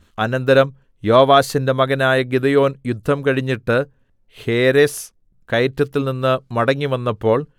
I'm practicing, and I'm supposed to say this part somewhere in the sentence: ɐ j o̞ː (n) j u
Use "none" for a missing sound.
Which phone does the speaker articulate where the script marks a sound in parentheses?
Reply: n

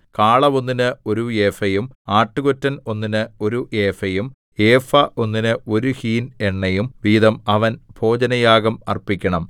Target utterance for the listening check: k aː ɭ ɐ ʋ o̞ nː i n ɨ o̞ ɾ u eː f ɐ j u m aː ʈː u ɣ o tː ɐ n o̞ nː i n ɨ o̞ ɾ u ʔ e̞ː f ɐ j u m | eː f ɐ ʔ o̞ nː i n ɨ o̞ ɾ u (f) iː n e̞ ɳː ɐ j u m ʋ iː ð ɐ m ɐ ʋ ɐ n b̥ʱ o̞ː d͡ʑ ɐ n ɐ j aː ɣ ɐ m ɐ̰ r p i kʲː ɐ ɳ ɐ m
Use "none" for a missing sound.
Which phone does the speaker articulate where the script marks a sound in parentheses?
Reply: h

